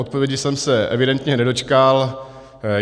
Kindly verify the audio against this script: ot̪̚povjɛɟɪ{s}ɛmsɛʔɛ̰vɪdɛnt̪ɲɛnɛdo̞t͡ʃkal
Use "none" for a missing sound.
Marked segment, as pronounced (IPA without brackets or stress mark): s